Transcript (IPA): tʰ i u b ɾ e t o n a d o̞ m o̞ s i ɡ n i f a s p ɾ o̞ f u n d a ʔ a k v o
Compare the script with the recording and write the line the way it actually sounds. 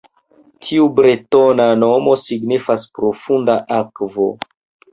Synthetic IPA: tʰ i u b ɾ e t o n a n o̞ m o̞ s i ɡ n i f a s p ɾ o̞ f u n d a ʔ a k v o